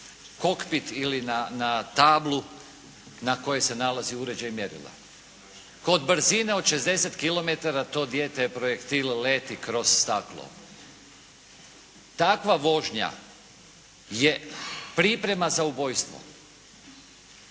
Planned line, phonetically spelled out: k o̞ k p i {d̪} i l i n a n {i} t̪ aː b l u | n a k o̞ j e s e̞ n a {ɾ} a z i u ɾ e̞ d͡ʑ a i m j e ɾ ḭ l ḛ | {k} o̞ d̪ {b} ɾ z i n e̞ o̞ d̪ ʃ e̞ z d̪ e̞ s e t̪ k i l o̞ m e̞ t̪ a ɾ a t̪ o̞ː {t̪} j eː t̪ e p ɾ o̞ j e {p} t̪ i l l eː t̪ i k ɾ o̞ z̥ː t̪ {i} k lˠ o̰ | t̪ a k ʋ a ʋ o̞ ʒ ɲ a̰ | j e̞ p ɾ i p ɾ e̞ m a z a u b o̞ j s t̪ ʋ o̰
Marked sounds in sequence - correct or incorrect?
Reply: incorrect, incorrect, incorrect, correct, correct, incorrect, incorrect, incorrect

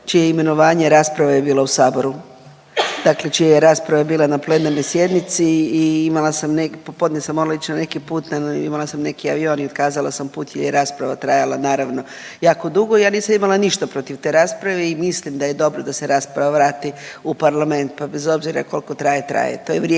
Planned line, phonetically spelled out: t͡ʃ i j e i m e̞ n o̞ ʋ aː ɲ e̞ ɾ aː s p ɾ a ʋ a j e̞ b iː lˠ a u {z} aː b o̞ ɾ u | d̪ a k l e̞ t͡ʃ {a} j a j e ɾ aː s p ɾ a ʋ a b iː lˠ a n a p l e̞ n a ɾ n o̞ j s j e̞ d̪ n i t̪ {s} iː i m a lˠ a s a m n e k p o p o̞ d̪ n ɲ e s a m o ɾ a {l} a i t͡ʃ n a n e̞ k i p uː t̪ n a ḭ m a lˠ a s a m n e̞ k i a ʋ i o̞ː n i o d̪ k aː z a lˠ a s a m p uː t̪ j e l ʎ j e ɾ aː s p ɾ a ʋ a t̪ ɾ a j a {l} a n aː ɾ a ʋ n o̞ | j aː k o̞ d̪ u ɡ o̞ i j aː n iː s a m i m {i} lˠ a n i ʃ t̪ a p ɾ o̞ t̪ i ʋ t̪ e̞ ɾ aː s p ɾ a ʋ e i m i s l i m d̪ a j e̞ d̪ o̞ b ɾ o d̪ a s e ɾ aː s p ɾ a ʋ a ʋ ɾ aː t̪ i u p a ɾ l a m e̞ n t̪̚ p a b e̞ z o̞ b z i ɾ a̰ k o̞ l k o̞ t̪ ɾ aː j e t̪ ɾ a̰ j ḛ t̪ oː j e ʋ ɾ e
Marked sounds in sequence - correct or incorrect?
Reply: incorrect, incorrect, correct, correct, correct, incorrect

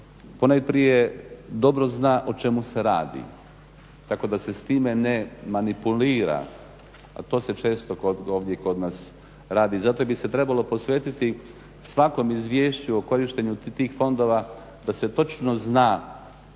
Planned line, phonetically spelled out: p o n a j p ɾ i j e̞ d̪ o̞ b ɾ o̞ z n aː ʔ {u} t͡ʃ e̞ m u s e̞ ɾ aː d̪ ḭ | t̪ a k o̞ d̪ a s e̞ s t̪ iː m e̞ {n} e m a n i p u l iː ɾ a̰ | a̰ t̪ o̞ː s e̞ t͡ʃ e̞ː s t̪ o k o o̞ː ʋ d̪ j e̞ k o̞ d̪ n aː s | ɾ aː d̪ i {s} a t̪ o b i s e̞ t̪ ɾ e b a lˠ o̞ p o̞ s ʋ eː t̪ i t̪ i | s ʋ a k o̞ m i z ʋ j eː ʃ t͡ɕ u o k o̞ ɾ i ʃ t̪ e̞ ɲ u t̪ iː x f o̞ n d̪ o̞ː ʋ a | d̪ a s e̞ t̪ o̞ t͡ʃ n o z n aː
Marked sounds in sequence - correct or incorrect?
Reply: incorrect, correct, incorrect

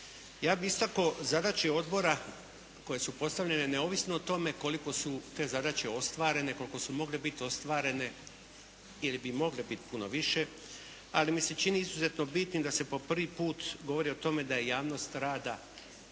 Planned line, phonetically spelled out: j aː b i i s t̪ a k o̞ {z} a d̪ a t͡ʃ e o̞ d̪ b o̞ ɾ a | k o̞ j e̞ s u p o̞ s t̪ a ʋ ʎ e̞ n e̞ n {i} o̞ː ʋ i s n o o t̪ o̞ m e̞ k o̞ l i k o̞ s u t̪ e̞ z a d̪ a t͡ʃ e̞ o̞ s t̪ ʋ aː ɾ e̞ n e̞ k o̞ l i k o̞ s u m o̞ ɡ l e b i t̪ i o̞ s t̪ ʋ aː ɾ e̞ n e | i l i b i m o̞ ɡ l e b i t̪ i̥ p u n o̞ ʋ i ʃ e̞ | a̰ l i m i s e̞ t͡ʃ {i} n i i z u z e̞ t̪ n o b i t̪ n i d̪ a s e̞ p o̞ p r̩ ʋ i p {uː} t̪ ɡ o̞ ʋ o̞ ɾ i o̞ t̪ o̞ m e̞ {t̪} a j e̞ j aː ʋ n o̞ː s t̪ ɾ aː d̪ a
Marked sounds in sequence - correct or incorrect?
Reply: correct, incorrect, correct, correct, incorrect

